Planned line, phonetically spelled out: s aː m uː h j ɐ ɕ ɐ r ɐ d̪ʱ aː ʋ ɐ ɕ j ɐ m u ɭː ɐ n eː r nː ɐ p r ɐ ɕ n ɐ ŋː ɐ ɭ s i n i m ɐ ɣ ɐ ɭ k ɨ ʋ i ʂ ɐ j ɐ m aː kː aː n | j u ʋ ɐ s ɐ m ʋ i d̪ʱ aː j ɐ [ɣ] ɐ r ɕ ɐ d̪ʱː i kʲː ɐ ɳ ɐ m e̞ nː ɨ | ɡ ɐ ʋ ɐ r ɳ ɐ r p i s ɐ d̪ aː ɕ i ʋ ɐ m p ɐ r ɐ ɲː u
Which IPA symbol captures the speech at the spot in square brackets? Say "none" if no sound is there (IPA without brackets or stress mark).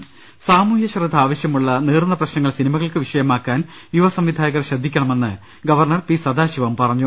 ɣ